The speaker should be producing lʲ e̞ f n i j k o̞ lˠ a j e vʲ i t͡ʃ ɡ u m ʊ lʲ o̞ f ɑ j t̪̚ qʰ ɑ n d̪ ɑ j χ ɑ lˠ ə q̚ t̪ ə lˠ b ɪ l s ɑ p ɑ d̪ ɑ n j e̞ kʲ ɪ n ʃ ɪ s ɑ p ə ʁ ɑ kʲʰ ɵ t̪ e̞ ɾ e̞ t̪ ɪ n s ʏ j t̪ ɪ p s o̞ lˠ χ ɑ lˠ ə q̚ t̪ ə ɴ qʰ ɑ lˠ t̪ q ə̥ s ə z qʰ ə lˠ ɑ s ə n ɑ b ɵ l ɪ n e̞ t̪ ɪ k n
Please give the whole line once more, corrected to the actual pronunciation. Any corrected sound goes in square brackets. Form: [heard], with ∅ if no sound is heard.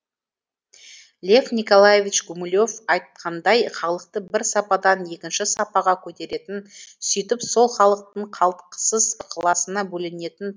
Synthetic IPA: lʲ e̞ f n i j k o̞ lˠ a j e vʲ i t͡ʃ ɡ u m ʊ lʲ o̞ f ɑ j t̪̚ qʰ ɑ n d̪ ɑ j χ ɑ lˠ ə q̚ t̪ ə [∅] b ɪ [ɾ] s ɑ p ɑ d̪ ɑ n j e̞ kʲ ɪ n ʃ ɪ s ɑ p [ɑ] ʁ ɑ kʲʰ ɵ t̪ e̞ ɾ e̞ t̪ ɪ n s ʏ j t̪ ɪ p s o̞ lˠ χ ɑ lˠ ə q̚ t̪ ə ɴ qʰ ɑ lˠ t̪ q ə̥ s ə z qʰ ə lˠ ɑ s ə n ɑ b ɵ l ɪ n e̞ t̪ ɪ [∅] n